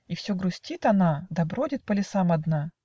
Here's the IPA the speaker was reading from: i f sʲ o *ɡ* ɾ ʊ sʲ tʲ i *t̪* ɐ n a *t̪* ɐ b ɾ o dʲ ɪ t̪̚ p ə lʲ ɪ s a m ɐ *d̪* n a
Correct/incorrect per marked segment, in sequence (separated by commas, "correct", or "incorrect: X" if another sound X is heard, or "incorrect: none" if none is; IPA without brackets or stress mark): correct, correct, incorrect: d̪, correct